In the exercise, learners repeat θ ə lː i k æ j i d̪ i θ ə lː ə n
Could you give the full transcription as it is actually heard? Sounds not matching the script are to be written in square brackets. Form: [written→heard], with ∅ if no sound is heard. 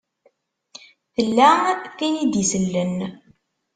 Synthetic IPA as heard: θ ə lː [i→æ] k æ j i d̪ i [θ→s] ə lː ə n

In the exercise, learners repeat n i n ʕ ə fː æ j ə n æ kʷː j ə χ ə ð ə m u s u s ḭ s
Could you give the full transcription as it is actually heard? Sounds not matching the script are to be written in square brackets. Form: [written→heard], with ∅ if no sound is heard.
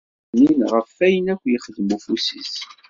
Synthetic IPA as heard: n i n [ʕ→ʁ] ə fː æ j ə n æ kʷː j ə χ ə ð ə m u [s→f] u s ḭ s

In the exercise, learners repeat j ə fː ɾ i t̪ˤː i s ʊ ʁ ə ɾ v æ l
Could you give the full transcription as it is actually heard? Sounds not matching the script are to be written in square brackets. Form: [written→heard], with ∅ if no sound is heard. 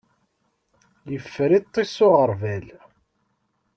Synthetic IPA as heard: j ə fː ɾ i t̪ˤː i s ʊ ʁ ə ɾ v æ l

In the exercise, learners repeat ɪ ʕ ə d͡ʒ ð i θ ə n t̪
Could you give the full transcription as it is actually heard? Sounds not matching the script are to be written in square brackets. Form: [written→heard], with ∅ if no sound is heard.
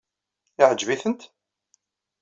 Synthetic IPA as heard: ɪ ʕ ə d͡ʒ [ð→v] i θ ə n t̪

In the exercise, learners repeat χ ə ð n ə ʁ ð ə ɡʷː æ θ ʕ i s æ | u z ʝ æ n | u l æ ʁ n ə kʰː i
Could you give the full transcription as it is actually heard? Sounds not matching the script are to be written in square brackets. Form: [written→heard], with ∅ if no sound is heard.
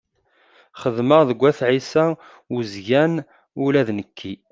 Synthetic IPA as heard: χ ə ð [n→m] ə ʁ ð ə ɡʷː æ θ ʕ i s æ | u z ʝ æ n | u l æ [ʁ→ð] n ə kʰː i

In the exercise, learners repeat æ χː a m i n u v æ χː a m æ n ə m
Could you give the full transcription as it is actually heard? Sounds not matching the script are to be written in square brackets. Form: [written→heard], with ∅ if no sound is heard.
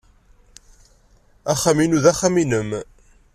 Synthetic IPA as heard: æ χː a m i n u [v→ð] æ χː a m [æ→i] n ə m

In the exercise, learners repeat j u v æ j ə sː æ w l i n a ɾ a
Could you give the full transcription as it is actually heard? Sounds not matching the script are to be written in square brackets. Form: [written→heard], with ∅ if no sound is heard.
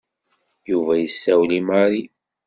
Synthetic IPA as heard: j u v æ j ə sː æ w l i [n→m] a ɾ [a→i]

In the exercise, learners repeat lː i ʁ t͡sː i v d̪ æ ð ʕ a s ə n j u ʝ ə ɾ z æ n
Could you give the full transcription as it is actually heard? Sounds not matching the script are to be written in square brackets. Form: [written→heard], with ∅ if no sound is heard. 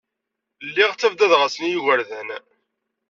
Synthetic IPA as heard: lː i ʁ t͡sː [i→æ] v d̪ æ ð [ʕ→ʁ] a s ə n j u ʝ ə ɾ [z→ð] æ n

